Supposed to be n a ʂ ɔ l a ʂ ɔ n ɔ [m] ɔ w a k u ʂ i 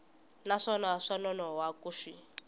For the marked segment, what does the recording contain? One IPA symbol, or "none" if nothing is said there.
n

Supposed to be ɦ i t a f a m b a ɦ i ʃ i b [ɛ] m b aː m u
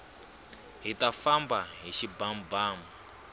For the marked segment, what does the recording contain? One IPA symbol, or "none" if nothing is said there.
a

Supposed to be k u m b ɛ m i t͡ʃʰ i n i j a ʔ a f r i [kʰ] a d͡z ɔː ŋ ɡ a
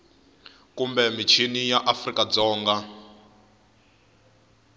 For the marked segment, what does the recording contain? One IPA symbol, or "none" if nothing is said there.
k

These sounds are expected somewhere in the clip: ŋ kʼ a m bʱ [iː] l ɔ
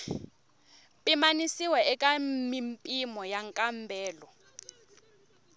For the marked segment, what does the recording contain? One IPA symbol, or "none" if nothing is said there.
ɛː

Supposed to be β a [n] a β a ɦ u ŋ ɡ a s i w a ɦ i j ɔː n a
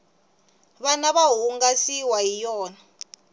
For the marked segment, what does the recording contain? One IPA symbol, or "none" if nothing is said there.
n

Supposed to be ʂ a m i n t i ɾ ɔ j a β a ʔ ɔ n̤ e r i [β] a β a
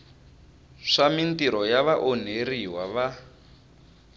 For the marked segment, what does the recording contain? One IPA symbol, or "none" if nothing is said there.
w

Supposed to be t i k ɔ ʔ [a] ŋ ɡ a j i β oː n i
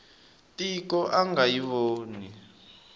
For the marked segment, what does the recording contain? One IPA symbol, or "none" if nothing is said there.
a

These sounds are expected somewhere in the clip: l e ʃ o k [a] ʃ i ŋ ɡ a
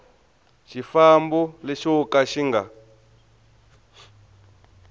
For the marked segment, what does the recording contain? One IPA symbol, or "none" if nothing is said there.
a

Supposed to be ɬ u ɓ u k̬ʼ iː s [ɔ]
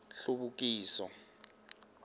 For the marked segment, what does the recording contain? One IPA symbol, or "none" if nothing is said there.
ɔ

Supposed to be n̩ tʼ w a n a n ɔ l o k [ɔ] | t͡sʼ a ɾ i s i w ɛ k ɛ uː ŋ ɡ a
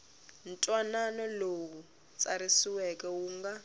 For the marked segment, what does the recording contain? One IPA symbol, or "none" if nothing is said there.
u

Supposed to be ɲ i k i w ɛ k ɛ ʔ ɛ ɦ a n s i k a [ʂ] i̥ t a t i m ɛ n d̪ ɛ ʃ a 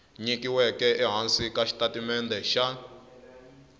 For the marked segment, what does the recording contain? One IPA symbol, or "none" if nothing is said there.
ʃ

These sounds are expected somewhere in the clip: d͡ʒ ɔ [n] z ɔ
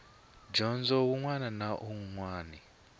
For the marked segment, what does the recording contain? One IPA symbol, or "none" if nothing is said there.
n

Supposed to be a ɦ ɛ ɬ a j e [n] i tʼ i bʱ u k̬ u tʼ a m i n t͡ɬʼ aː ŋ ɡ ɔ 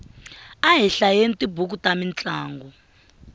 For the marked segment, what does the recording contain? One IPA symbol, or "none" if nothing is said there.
n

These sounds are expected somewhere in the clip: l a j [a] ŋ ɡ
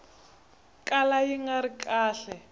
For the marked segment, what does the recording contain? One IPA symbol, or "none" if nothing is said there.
i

